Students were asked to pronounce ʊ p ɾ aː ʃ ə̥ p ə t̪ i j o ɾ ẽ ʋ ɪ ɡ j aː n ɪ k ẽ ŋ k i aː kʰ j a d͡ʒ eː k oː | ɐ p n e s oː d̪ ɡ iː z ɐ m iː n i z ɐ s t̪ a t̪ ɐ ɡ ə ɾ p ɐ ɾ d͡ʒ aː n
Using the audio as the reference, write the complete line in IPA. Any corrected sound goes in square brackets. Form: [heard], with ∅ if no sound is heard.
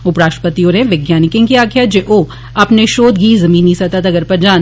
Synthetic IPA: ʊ p ɾ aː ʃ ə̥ p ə t̪ i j o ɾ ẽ ʋ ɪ ɡ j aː n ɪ k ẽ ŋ k i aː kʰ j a d͡ʒ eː [ʔ] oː | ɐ p n e [ʃ] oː d̪ ɡ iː z ɐ m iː n i [s] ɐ [∅] t̪ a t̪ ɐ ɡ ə ɾ p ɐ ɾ d͡ʒ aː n

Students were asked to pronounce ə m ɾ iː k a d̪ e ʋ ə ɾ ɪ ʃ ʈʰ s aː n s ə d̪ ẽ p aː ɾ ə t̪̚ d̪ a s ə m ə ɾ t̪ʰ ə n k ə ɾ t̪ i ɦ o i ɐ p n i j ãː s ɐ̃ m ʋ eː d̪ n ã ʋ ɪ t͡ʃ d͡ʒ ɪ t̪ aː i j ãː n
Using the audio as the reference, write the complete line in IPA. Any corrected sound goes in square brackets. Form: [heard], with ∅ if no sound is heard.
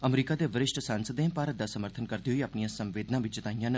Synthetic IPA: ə m ɾ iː k a d̪ e ʋ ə ɾ ɪ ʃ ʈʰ s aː n s ə d̪ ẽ p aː ɾ ə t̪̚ d̪ a s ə m ə ɾ t̪ʰ ə n k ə ɾ [d̪] i ɦ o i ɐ p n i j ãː s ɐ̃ m ʋ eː d̪ n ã ʋ ɪ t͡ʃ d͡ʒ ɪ t̪ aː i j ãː n

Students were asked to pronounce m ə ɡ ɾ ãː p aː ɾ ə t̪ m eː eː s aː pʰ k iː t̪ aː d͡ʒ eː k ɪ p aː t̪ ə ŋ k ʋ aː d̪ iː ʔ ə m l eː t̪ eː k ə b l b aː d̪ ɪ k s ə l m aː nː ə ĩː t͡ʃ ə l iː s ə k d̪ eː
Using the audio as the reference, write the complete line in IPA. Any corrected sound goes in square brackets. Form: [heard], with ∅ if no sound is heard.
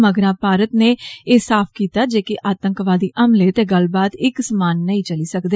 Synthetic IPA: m ə ɡ ɾ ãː p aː ɾ ə t̪ [n] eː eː s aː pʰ k iː t̪ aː d͡ʒ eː k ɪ [ʔ] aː t̪ ə ŋ k ʋ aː d̪ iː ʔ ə m l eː t̪ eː [ɡ] ə [∅] l b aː [t̪] ɪ k s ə [∅] m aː nː ə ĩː t͡ʃ ə l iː s ə k d̪ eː

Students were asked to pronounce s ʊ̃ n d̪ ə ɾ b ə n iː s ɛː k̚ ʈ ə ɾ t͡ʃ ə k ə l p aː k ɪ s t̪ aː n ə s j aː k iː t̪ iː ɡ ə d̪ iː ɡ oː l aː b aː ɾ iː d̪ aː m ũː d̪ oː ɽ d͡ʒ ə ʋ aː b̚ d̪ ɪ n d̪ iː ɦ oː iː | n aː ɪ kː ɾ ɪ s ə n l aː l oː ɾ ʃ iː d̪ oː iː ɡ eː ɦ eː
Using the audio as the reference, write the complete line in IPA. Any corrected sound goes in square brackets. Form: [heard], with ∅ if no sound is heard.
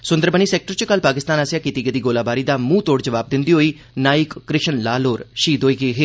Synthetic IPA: s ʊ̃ n d̪ ə ɾ b ə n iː s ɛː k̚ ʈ ə ɾ t͡ʃ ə k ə l p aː k ɪ s t̪ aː n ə s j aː k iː t̪ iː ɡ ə d̪ iː ɡ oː l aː b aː ɾ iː d̪ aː m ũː [t̪] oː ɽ d͡ʒ ə ʋ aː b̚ d̪ ɪ n d̪ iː ɦ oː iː | n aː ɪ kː ɾ ɪ [ʃ] ə n l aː l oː ɾ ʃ iː d̪ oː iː ɡ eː ɦ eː

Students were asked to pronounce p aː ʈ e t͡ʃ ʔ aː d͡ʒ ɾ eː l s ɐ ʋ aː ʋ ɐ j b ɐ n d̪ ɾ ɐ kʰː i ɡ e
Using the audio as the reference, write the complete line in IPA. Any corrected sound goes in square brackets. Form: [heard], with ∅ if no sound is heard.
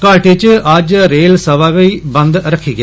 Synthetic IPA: [k] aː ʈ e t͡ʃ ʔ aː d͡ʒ ɾ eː l s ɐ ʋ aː ʋ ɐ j b ɐ n d̪ ɾ ɐ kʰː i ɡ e

